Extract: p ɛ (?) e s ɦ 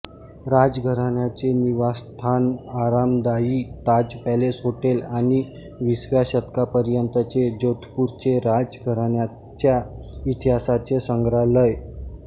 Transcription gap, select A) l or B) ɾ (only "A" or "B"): A